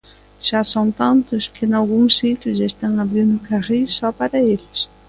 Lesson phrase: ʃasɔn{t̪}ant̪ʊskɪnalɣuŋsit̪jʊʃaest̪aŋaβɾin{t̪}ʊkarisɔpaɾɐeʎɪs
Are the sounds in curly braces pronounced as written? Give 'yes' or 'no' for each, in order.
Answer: yes, no

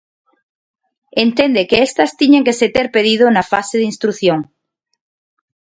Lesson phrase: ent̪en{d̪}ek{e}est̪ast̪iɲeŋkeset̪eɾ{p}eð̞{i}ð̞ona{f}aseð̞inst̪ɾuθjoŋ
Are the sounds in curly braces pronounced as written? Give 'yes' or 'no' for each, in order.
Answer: yes, yes, yes, yes, yes

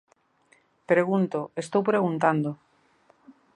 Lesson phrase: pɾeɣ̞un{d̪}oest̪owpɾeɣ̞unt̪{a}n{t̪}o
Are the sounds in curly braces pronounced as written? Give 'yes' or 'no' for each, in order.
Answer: no, yes, no

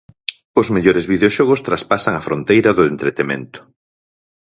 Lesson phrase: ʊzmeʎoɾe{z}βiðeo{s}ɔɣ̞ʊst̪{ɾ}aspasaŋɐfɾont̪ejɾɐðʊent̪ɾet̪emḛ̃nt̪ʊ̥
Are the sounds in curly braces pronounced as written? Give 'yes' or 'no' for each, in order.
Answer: yes, no, yes

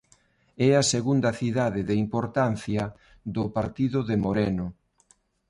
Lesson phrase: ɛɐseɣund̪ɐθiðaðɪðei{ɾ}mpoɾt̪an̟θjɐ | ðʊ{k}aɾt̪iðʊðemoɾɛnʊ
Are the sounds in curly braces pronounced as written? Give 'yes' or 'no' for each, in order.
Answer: no, no

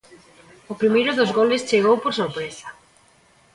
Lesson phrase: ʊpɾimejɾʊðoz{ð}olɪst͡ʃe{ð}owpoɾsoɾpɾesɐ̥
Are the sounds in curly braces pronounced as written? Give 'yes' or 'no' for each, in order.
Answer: no, no

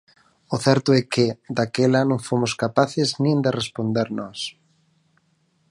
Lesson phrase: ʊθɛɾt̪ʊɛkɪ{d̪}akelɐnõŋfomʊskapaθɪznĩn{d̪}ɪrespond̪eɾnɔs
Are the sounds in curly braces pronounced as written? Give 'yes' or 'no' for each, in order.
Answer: yes, yes

